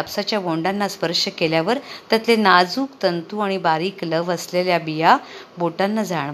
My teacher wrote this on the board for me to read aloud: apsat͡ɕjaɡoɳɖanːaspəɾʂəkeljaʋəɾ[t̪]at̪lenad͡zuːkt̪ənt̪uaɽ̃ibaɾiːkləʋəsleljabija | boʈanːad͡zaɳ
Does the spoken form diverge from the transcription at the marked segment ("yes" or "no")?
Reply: no